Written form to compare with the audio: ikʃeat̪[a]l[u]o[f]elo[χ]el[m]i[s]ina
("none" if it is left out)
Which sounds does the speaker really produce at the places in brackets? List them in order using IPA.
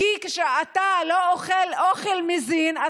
a, o, χ, χ, m, z

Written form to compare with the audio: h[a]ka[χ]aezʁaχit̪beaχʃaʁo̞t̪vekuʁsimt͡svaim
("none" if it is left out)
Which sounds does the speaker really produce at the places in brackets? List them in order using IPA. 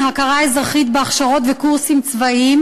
a, ʁ

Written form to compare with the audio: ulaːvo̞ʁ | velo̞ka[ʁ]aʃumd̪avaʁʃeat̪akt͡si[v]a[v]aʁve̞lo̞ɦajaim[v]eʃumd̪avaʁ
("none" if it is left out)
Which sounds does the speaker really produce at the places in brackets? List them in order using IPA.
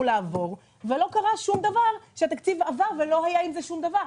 ʁ, v, v, z

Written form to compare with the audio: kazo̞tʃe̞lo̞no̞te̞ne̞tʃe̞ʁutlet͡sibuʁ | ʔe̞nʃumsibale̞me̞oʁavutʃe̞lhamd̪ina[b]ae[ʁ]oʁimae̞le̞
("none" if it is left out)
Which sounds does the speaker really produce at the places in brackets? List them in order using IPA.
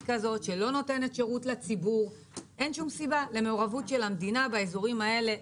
b, z

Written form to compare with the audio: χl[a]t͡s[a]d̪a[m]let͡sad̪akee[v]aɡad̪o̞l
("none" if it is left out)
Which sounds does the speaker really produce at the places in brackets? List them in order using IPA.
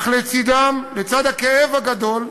e, i, m, v

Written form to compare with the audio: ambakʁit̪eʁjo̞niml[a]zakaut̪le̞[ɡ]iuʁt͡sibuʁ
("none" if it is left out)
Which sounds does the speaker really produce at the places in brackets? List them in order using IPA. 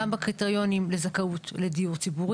e, d

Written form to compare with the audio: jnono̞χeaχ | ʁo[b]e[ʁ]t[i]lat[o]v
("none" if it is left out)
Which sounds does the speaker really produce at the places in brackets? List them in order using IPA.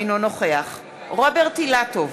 b, ʁ, i, o

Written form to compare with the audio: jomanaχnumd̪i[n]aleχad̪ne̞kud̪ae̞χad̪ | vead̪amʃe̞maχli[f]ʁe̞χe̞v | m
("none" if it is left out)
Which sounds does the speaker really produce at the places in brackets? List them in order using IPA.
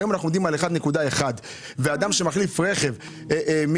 m, f

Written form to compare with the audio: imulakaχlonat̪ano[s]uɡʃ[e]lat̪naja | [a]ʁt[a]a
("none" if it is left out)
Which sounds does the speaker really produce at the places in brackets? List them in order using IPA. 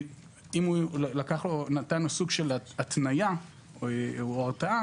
s, e, a, a

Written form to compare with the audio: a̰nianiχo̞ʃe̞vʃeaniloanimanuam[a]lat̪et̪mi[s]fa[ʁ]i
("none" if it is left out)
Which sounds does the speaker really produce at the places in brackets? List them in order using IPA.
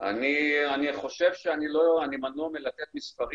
e, s, ʁ

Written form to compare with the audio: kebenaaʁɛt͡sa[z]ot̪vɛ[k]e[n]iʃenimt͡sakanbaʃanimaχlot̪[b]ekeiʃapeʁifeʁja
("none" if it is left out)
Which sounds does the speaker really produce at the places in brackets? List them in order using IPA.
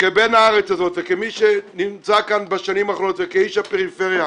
z, k, m, v

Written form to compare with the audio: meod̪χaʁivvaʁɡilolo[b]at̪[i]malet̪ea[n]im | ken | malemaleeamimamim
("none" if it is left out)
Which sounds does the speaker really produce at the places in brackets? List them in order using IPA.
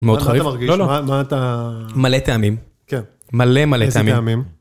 m, a, m

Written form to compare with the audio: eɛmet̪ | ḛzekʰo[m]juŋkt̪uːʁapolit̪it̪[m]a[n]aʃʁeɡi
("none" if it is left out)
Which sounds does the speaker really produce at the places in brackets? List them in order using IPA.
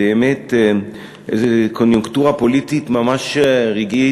n, m, m

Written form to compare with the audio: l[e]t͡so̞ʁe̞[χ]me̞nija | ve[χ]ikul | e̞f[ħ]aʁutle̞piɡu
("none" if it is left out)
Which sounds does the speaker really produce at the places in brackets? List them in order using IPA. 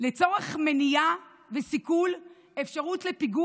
e, χ, s, ʃ

